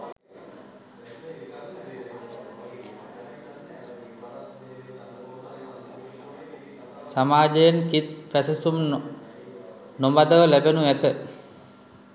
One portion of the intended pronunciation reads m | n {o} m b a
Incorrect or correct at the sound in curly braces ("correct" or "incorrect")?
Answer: correct